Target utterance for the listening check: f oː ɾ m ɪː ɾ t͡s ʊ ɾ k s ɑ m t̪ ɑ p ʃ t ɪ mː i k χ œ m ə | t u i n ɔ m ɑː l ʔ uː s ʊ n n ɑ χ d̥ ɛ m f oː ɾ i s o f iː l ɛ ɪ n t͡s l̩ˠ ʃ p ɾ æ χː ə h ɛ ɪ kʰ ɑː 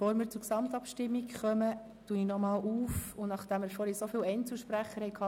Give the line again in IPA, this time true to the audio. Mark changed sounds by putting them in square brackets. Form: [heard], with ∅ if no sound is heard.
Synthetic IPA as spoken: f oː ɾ m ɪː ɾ t͡s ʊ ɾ k s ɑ m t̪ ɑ p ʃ t ɪ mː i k χ œ m ə | t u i n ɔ m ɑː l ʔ uː [f] ʊ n n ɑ χ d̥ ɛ m f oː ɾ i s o f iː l ɛ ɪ n t͡s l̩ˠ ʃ p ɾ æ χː ə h ɛ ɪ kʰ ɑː